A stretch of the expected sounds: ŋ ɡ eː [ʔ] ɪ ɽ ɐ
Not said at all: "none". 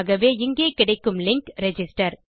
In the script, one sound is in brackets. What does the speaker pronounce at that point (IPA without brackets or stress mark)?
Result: k